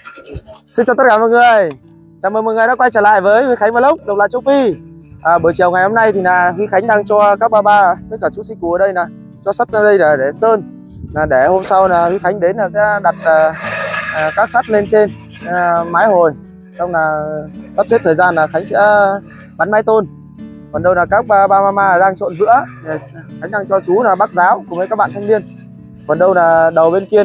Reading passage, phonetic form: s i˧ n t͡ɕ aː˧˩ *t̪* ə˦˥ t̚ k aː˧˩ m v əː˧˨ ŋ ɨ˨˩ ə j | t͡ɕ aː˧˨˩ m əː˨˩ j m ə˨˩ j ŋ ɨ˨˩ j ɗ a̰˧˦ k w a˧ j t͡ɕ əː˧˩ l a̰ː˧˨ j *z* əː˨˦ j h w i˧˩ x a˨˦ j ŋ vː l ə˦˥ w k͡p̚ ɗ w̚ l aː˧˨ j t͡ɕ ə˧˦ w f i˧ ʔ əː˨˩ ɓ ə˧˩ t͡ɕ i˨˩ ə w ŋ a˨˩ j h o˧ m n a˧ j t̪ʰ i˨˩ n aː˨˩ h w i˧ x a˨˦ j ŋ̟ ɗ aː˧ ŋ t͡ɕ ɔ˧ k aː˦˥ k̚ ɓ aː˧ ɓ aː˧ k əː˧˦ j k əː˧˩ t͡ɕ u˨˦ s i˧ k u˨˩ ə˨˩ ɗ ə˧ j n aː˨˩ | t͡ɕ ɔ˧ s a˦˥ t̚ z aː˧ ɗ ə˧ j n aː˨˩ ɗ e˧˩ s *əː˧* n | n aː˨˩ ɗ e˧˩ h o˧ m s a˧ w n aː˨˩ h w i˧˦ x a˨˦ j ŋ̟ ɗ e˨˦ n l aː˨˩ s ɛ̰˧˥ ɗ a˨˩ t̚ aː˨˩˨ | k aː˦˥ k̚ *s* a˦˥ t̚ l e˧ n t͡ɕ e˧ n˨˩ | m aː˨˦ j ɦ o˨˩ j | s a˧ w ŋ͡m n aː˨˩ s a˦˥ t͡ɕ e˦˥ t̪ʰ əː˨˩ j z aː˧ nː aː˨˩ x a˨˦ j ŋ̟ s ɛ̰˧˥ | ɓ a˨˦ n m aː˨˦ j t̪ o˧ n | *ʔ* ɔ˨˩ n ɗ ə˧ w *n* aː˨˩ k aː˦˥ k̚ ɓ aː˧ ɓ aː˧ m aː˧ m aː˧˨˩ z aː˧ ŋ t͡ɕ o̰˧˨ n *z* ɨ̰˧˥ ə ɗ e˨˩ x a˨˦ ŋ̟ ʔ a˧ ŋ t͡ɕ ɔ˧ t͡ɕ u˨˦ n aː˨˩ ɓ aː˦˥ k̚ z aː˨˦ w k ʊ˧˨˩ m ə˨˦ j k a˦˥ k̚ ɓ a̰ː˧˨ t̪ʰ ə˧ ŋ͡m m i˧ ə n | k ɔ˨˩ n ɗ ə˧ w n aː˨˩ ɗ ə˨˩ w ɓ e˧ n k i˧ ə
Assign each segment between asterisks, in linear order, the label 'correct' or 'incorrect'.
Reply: correct, incorrect: v, correct, correct, incorrect: k, correct, incorrect: v

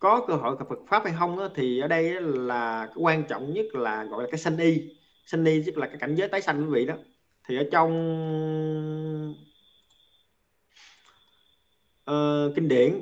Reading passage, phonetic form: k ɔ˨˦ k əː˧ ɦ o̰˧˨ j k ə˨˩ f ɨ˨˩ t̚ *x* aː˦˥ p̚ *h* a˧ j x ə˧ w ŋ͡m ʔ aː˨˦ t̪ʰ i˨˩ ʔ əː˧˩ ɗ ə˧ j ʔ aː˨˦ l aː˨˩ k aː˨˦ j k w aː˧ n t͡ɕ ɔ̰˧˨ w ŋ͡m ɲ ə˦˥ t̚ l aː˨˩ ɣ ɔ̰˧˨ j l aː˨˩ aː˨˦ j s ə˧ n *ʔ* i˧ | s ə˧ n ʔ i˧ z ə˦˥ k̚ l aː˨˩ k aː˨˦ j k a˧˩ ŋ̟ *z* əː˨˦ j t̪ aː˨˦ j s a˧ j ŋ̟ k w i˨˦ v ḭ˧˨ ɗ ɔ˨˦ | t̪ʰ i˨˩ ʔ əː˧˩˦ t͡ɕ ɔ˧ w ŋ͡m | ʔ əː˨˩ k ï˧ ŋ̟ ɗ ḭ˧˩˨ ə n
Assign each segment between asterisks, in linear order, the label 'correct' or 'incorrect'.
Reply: incorrect: f, correct, correct, correct

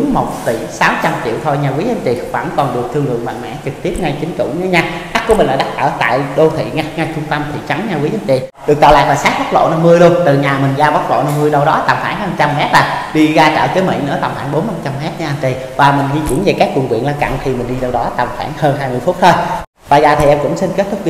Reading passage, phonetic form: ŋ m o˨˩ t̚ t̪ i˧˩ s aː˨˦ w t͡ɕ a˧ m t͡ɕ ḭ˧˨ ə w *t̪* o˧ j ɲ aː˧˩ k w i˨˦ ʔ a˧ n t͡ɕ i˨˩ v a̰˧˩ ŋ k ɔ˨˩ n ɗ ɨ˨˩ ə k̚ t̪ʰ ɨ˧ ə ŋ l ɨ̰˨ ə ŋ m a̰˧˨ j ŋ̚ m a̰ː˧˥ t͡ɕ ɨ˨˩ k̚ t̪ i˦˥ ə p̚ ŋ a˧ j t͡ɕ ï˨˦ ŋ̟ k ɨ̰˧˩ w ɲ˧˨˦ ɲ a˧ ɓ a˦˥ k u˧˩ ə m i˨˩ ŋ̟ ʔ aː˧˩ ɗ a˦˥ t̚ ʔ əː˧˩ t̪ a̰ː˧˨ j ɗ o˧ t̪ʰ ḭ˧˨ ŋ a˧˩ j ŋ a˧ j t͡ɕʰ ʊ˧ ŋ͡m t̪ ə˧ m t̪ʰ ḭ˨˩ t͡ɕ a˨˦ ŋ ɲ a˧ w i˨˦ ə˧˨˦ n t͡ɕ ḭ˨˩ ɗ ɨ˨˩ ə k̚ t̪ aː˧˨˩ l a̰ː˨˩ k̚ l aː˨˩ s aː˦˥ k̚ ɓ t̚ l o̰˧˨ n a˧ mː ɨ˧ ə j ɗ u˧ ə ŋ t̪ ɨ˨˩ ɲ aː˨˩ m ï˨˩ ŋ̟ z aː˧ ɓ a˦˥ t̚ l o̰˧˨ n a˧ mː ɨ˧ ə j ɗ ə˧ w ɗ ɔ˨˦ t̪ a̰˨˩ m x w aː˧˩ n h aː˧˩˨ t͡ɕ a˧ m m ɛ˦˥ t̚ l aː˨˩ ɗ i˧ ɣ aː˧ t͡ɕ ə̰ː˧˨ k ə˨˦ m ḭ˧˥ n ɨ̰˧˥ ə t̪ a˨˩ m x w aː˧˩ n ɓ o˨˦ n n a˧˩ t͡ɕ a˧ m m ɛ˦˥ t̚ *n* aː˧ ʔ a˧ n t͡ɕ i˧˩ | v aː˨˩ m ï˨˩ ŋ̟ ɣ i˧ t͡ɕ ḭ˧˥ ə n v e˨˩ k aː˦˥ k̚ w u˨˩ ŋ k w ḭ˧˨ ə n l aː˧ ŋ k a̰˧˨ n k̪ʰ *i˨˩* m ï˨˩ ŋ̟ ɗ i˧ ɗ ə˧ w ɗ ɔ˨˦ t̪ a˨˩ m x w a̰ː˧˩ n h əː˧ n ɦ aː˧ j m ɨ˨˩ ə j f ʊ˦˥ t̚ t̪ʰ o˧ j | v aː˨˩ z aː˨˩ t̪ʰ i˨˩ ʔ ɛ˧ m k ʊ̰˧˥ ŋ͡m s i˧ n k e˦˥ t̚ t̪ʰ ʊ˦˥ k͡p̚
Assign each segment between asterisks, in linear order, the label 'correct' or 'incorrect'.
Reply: incorrect: t̪ʰ, incorrect: ɲ, correct

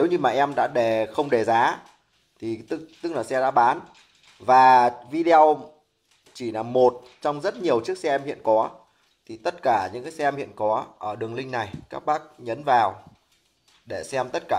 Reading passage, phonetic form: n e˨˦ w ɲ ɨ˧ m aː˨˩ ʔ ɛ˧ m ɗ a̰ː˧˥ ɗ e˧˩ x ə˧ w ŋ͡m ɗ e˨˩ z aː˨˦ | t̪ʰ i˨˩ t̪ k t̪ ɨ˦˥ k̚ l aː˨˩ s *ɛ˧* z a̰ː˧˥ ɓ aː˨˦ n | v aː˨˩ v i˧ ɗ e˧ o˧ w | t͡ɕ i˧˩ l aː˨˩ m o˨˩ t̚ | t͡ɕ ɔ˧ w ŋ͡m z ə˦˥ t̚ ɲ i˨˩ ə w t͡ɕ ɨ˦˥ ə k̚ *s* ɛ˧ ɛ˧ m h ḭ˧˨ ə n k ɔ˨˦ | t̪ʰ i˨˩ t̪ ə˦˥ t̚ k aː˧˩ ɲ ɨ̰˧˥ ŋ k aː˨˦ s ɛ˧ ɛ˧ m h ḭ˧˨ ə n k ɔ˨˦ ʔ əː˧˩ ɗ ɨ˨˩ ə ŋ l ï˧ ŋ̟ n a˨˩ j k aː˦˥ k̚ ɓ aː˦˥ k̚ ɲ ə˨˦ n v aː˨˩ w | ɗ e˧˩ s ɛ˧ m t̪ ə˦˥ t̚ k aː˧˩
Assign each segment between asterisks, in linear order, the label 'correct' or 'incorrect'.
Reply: correct, correct

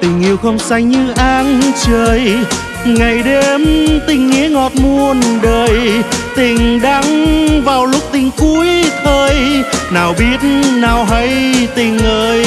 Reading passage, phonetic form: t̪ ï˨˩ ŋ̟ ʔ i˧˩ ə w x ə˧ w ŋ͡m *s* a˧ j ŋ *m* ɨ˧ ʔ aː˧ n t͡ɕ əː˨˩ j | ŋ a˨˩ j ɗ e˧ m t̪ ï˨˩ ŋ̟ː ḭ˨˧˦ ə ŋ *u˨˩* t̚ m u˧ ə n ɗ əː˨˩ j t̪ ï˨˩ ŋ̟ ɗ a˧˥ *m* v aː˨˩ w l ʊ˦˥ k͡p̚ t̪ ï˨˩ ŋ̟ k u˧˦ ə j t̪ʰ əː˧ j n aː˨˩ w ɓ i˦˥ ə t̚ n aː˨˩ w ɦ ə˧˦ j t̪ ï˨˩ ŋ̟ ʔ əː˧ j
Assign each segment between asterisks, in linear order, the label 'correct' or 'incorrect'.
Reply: correct, incorrect: ɲ, incorrect: ɔ˨˩, incorrect: ŋ

